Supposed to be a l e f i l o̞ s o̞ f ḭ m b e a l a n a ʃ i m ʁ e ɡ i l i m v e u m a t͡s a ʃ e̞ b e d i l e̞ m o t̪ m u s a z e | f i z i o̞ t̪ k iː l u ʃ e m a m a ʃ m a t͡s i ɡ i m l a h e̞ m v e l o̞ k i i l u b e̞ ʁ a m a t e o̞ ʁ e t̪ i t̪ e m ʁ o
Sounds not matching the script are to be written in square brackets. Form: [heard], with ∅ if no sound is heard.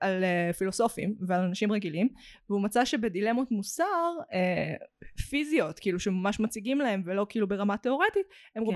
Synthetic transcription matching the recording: a l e f i l o̞ s o̞ f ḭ m [v] e a l a n a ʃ i m ʁ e ɡ i l i m v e u m a t͡s a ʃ e̞ b e d i l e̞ m o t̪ m u s a [ʁ] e | f i z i o̞ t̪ k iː l u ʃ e m a m a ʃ m a t͡s i ɡ i m l a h e̞ m v e l o̞ k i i l u b e̞ ʁ a m a t e o̞ ʁ e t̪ i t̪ e m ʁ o